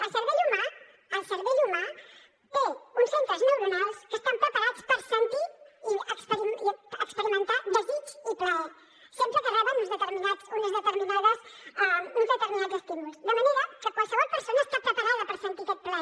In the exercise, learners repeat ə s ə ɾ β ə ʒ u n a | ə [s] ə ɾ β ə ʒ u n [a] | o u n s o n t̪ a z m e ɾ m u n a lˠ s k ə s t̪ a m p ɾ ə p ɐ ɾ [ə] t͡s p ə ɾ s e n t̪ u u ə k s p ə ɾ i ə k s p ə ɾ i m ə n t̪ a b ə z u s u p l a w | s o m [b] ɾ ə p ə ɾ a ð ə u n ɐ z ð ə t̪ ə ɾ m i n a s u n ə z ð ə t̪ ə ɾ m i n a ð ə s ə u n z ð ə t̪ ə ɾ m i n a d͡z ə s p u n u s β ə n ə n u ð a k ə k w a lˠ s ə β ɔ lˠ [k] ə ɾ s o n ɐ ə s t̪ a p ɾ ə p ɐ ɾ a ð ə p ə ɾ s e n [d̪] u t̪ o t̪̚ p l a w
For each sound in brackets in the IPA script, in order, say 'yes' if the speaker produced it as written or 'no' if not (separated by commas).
yes, yes, no, no, no, no